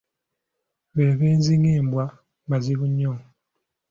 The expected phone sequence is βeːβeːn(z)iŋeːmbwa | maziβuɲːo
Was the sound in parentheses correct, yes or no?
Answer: yes